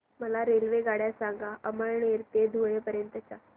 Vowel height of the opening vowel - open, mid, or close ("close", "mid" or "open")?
mid